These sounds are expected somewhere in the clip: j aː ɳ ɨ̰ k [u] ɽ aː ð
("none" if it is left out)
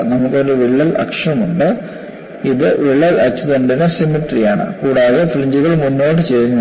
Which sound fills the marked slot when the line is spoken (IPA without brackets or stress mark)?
uː